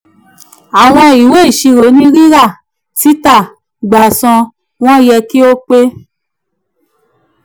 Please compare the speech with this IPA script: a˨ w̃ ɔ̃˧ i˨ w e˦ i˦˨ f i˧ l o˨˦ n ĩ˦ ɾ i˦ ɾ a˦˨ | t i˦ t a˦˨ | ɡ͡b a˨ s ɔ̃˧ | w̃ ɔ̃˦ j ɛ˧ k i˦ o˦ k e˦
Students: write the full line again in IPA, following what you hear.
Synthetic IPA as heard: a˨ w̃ ɔ̃˧ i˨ w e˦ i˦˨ ʃ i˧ ɾ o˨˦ n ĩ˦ ɾ i˦ ɾ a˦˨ | t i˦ t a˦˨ | ɡ͡b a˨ s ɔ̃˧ | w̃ ɔ̃˦ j ɛ˧ k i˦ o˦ k͡p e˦